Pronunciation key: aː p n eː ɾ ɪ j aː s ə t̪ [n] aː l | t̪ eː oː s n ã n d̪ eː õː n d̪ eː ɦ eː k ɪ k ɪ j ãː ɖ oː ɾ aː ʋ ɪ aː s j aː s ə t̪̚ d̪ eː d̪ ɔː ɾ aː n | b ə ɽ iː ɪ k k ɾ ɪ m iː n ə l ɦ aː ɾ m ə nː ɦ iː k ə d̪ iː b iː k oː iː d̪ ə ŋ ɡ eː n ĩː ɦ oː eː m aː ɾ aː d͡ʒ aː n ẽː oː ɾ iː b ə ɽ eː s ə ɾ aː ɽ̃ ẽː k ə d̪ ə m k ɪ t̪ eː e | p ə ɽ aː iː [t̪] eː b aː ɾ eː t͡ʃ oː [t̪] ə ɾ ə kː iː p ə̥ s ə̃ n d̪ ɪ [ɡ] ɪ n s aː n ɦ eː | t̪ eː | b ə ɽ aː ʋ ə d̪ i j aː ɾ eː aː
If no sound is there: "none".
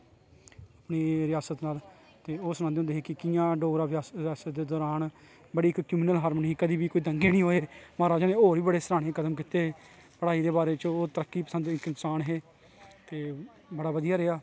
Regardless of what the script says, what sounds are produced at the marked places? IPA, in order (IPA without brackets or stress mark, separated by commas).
n, d̪, t̪, k